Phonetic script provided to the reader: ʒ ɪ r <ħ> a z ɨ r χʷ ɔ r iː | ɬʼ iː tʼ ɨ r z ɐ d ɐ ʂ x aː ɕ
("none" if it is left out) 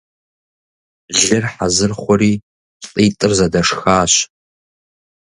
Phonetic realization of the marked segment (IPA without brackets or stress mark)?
ħ